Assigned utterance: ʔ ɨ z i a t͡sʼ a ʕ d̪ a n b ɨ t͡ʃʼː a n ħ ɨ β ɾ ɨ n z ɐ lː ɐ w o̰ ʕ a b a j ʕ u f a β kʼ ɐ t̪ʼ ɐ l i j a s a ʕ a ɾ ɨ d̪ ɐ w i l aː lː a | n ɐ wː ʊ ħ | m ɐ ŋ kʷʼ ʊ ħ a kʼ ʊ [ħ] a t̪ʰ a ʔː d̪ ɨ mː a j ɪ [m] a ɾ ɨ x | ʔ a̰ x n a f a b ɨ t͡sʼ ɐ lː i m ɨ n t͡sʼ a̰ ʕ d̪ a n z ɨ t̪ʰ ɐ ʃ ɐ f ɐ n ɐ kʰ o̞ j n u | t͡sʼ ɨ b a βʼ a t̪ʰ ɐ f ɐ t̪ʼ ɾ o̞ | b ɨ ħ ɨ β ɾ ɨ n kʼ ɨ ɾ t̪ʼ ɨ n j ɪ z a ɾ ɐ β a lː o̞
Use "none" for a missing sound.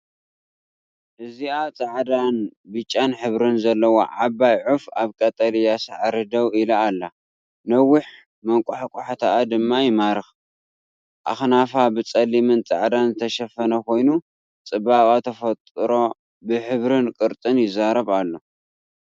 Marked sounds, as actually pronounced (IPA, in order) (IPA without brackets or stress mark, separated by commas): ħ, m